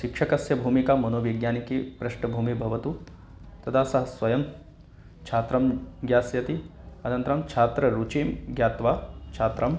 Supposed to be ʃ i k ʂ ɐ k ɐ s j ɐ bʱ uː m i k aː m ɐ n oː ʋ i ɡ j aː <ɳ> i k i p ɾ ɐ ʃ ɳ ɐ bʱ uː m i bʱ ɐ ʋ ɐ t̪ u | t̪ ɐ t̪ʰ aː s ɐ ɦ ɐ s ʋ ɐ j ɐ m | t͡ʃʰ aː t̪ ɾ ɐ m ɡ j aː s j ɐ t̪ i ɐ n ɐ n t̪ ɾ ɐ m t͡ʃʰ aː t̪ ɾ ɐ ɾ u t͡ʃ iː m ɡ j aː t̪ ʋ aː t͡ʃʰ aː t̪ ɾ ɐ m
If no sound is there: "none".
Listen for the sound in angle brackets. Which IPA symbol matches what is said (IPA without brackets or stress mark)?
n